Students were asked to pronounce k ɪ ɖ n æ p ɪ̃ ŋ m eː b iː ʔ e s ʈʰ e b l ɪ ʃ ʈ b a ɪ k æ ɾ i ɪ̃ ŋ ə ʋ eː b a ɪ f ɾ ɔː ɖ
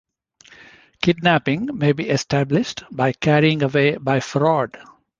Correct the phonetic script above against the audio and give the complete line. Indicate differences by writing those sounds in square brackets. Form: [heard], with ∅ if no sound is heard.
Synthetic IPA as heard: k ɪ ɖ n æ p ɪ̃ ŋ m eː b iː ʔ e s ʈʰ [æ] b l ɪ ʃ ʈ b a ɪ k æ ɾ i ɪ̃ ŋ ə ʋ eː b a ɪ f ɾ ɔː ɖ

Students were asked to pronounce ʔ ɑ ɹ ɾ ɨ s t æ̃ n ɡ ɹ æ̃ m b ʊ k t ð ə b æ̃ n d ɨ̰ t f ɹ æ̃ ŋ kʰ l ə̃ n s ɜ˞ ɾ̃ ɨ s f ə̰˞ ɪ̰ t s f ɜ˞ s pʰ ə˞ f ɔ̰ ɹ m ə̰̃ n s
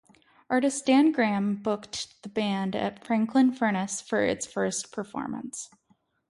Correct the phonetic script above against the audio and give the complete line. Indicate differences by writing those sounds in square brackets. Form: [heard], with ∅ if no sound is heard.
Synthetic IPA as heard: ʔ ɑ ɹ ɾ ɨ s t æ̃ n ɡ ɹ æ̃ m b ʊ k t ð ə b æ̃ n d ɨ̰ t f ɹ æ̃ ŋ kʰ l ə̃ n [f] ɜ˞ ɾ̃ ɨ s f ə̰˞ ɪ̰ t s f ɜ˞ s pʰ ə˞ f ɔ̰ ɹ m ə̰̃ n s

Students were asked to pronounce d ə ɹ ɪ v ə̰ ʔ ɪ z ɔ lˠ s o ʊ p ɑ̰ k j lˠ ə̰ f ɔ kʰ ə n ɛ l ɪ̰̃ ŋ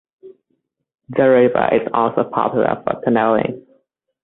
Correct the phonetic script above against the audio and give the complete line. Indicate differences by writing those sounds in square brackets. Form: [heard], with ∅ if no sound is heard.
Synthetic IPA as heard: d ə ɹ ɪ v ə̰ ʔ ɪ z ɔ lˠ s o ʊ [pʰ] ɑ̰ [p] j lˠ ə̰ f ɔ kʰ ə n ɛ l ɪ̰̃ ŋ

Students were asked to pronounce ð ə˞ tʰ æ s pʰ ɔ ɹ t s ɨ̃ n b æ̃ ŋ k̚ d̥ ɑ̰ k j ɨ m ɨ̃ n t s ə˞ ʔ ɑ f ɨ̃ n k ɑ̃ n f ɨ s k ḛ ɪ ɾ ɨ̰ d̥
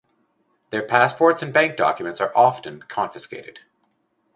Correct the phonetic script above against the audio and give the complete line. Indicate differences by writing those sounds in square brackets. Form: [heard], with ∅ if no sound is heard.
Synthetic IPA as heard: ð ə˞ [pʰ] æ s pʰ ɔ ɹ t s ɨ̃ n b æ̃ ŋ k̚ d̥ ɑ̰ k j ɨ m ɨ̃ n t s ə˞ ʔ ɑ f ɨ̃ n [kʰ] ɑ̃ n f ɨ s k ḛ ɪ ɾ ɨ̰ d̥

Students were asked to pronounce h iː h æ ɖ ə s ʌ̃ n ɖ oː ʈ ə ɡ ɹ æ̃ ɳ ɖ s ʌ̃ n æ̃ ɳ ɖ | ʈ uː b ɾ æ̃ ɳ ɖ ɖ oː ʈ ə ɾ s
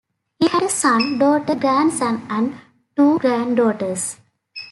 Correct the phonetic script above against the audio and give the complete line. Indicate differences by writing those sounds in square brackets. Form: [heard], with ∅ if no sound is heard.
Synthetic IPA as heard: h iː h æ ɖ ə s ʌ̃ n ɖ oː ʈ ə ɡ [ɾ] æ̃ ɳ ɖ s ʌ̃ n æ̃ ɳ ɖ | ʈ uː [ɡ] ɾ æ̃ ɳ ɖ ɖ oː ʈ ə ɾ s

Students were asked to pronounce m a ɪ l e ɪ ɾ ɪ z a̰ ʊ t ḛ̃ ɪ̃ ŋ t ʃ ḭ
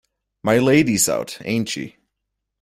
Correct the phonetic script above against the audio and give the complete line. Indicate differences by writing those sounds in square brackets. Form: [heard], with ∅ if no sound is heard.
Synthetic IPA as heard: m a ɪ l e ɪ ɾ [i] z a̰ ʊ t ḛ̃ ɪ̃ [n] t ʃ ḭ

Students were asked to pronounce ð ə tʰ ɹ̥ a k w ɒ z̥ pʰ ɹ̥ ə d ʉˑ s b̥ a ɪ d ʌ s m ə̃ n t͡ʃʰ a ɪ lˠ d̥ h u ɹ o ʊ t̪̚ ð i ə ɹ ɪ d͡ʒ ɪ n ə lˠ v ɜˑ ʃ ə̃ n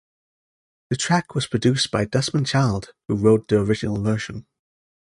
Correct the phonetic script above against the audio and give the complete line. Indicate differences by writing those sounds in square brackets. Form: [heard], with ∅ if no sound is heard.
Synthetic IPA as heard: ð ə tʰ ɹ̥ a k w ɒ z̥ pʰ ɹ̥ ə d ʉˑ s b̥ a ɪ d ʌ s m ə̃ n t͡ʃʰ a ɪ lˠ d̥ h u ɹ o ʊ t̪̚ ð i ə ɹ ɪ d͡ʒ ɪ n ə lˠ v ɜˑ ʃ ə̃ n

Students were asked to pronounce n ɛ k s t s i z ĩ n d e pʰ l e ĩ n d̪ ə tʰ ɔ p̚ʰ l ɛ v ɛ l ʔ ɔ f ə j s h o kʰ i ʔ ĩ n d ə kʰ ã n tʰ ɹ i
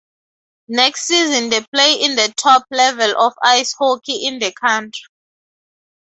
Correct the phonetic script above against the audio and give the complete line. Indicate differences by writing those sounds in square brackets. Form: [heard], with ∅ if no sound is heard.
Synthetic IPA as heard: n ɛ k s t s i z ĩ n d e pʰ l e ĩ n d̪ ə tʰ ɔ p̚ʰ l ɛ v ɛ l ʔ ɔ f [a] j s h o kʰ i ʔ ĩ n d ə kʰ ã n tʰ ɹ i

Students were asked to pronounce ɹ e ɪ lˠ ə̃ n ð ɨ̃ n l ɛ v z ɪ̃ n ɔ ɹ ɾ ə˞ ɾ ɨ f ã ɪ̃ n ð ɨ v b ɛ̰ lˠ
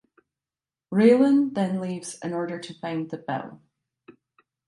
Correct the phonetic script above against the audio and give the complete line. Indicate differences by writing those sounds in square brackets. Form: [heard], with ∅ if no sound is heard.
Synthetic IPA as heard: ɹ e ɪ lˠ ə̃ n ð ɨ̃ n l [i] v z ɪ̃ n ɔ ɹ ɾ ə˞ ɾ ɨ f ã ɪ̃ n ð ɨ [∅] b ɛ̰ lˠ

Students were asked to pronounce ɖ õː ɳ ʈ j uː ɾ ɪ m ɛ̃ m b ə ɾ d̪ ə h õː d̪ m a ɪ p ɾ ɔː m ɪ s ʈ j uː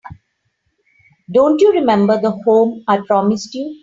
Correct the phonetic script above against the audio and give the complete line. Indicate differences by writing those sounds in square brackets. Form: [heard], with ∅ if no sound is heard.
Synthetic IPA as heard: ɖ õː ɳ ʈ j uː ɾ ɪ m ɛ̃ m b ə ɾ d̪ ə h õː [∅] m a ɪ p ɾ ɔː m ɪ s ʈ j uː

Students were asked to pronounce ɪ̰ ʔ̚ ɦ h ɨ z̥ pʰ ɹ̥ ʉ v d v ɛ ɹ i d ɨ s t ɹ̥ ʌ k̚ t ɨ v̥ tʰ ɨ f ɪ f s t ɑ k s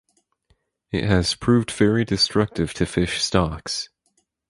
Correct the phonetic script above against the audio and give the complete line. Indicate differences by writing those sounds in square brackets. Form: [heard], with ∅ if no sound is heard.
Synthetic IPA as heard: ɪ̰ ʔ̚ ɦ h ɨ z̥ pʰ ɹ̥ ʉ v d v ɛ ɹ i d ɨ s t ɹ̥ ʌ k̚ t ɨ v̥ tʰ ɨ f ɪ [ʃ] s t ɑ k s

